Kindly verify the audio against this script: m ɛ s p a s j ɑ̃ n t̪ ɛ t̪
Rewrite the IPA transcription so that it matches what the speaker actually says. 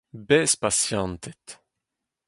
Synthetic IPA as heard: b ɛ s p a s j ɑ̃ n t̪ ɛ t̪